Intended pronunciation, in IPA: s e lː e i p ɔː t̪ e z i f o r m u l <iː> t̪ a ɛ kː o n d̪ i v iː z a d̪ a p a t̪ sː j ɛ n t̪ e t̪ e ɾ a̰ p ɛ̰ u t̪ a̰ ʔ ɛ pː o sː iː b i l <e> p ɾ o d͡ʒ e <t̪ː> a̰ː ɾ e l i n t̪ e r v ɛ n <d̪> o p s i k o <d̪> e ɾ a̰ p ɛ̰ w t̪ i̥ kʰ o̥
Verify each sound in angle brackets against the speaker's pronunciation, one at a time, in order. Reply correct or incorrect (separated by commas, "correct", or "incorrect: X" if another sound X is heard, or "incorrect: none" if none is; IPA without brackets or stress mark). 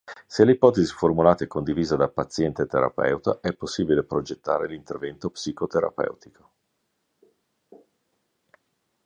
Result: incorrect: aː, correct, correct, incorrect: t̪, incorrect: t̪